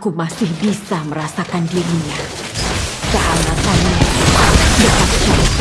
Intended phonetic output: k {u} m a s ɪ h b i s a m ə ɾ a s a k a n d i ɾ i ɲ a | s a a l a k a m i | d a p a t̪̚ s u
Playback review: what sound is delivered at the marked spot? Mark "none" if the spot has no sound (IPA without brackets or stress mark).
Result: u